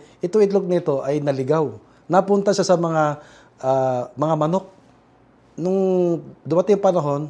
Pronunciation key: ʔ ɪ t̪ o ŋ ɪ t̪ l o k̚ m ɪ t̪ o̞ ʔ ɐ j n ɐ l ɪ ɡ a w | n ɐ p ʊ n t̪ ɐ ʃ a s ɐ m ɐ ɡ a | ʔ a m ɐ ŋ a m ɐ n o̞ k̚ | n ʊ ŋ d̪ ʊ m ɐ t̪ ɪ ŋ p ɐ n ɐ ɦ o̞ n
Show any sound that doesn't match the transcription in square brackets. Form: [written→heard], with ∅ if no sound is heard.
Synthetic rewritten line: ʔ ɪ t̪ o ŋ ɪ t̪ l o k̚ [m→n] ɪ t̪ o̞ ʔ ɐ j n ɐ l ɪ ɡ a w | n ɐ p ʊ n t̪ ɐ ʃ a s ɐ m ɐ [ɡ→ŋ] a | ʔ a m ɐ ŋ a m ɐ n o̞ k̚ | n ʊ ŋ d̪ ʊ m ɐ t̪ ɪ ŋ p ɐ n ɐ ɦ o̞ n